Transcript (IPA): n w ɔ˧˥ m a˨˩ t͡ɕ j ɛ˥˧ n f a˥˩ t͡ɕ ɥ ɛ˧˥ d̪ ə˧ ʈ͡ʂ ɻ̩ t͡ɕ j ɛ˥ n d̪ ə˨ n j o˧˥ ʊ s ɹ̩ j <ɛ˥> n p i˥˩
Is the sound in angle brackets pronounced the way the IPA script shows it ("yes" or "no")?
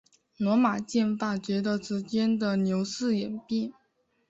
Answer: no